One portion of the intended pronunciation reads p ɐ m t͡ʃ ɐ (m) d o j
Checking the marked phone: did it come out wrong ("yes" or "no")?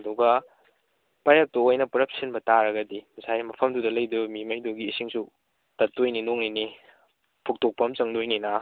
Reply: yes